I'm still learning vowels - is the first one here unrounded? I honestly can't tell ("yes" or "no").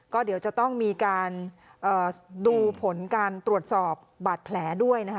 no